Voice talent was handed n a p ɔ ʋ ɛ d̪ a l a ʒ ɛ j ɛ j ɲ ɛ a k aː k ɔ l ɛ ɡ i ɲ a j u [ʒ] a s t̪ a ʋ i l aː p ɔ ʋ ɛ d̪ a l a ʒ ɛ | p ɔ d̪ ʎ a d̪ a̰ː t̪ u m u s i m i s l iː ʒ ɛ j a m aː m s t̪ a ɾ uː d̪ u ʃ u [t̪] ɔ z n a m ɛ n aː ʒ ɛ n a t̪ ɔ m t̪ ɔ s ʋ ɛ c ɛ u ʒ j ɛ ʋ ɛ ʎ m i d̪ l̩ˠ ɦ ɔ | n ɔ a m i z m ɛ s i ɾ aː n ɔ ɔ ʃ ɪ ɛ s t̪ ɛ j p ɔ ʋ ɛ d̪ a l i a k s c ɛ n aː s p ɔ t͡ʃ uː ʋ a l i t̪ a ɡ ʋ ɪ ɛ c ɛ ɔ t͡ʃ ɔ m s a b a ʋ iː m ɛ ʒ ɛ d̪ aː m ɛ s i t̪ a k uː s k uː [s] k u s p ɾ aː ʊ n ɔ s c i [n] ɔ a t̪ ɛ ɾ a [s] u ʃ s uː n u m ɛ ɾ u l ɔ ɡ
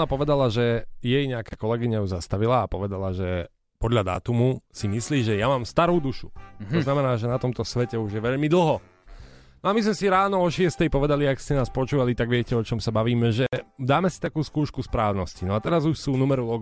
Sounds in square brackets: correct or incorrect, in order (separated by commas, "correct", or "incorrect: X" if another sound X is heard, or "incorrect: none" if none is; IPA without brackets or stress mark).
incorrect: z, correct, incorrect: ʃ, correct, incorrect: z